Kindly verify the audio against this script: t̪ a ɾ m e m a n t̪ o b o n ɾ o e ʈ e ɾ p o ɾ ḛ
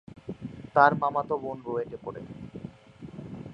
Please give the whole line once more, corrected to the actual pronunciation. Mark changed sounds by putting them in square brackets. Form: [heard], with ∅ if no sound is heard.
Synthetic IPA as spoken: t̪ a ɾ m [a] m a [∅] t̪ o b o n ɾ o e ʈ e [∅] p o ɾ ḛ